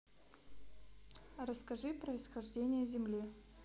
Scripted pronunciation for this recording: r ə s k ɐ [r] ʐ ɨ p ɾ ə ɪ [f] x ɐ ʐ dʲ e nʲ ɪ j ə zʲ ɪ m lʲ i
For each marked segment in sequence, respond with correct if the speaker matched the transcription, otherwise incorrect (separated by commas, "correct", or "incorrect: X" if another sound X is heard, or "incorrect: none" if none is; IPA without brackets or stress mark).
incorrect: none, incorrect: s